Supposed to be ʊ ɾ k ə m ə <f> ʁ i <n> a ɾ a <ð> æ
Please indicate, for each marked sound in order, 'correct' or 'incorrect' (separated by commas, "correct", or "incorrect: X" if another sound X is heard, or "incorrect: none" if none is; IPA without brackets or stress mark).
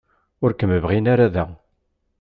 incorrect: v, correct, correct